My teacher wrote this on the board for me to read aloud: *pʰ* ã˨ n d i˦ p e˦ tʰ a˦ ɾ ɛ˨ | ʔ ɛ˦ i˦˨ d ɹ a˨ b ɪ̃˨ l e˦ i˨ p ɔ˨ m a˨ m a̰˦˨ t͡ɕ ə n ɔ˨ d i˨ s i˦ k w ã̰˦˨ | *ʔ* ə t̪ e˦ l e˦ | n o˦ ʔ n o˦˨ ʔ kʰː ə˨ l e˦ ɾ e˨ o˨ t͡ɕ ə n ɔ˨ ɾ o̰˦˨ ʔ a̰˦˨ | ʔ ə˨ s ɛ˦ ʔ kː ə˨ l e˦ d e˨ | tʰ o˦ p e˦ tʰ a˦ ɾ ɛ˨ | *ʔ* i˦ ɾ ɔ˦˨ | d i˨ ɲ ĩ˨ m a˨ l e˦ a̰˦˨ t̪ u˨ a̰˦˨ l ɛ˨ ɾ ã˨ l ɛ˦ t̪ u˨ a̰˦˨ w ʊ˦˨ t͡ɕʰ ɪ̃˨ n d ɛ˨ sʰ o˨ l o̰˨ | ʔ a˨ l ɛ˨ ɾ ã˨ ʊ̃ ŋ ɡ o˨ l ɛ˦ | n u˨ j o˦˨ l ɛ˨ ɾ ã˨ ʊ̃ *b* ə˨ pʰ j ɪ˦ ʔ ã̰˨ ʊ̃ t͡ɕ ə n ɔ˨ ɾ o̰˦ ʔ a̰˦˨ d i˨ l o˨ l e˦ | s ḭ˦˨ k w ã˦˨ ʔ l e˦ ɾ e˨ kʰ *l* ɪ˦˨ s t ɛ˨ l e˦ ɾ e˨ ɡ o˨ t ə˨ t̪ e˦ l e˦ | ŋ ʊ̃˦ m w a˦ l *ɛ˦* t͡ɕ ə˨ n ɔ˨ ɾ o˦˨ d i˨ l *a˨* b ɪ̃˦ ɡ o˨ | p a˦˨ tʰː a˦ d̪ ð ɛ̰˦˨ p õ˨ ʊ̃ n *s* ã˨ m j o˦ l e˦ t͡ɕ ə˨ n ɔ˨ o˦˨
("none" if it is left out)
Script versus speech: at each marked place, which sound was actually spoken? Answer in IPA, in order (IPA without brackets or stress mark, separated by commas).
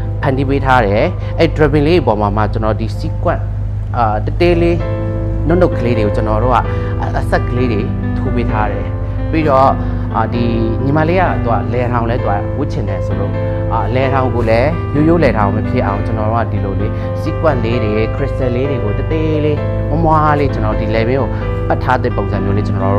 pʰ, t, p, m, ɹ, e˦, ɛ˨, z